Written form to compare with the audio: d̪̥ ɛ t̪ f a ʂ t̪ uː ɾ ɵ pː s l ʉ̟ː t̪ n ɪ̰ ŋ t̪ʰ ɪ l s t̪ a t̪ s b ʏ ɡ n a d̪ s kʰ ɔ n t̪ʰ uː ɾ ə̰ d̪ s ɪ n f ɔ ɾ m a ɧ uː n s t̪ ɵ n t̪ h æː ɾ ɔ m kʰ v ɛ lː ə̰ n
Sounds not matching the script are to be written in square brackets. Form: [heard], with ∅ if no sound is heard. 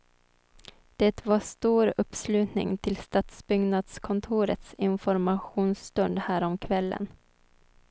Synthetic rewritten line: d̪̥ ɛ t̪ [v] a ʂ t̪ uː ɾ ɵ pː s l ʉ̟ː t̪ n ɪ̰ ŋ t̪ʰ ɪ l s t̪ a t̪ s b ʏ ɡ n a d̪ s kʰ ɔ n t̪ʰ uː ɾ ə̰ [t̪] s ɪ n f ɔ ɾ m a ɧ uː n s t̪ ɵ n [d̪] h æː ɾ ɔ m kʰ v ɛ lː ə̰ n